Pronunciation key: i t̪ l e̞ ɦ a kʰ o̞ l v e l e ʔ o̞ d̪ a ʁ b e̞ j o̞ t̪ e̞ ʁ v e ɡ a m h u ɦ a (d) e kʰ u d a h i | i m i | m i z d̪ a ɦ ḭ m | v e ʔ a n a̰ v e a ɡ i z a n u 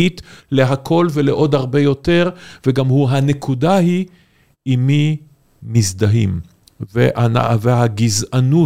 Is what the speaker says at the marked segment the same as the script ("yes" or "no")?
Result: no